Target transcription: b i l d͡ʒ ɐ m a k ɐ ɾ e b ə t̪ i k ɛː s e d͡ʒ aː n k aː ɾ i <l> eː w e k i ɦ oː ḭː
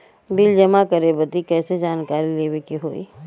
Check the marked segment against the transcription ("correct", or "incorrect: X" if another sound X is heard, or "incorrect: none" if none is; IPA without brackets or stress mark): correct